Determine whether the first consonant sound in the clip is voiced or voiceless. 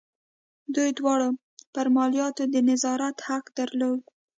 voiced